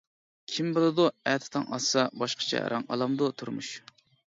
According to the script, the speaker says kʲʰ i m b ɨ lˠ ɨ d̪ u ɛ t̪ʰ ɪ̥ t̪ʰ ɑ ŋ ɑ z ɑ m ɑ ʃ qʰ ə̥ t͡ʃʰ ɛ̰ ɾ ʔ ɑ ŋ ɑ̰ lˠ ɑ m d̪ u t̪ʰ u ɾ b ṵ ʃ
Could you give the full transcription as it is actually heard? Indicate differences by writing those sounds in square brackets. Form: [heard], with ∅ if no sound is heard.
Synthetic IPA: kʲʰ i m b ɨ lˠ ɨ d̪ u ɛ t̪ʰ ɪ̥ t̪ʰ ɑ ŋ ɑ [s] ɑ [b] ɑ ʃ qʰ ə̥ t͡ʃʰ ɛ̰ ɾ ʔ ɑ ŋ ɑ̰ lˠ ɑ m d̪ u t̪ʰ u ɾ [m] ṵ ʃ